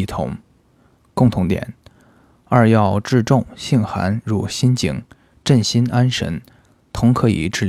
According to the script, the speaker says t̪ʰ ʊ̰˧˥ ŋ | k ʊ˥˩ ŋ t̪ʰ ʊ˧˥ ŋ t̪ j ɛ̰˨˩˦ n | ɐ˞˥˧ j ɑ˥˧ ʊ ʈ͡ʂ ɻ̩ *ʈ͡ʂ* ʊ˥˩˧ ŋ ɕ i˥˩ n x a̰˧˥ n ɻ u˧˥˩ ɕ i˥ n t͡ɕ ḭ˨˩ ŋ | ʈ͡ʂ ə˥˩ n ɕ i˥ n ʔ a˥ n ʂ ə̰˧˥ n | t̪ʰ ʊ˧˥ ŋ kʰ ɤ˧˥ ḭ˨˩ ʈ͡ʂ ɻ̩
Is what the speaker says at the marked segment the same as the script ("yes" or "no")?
yes